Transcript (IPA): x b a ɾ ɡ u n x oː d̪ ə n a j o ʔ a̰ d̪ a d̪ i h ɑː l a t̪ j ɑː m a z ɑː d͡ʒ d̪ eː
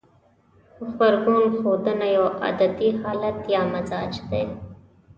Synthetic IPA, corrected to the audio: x b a ɾ ɡ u n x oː d̪ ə n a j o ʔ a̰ d̪ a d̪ i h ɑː l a t̪ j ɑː m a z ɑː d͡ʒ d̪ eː